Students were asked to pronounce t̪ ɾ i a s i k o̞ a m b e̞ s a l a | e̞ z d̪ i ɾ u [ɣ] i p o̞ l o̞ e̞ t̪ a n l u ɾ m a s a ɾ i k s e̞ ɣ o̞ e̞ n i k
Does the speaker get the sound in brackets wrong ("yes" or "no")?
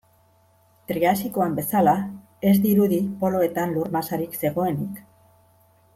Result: yes